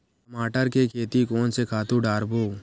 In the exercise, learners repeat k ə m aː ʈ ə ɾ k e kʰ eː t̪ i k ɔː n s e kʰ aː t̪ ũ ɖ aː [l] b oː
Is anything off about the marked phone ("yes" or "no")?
yes